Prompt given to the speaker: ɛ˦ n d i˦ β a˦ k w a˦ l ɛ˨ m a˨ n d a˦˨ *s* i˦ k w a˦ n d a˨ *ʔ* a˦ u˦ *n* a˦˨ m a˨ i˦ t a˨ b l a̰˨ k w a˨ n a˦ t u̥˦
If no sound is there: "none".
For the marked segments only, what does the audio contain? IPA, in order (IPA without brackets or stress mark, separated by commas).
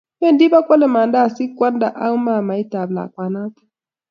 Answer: s, ʔ, m